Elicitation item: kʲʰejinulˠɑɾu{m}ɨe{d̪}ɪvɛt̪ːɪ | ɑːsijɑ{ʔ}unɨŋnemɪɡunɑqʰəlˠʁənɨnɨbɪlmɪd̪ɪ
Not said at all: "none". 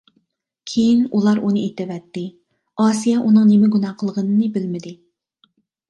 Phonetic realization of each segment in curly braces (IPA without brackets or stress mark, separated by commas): n, t̪, ʔ